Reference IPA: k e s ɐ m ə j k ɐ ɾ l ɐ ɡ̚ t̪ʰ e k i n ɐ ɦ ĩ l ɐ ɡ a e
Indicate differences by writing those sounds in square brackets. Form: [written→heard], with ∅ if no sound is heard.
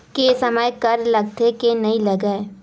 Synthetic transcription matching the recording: k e s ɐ m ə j k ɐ ɾ l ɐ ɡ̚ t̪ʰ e k [i→e] n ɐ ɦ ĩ l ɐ ɡ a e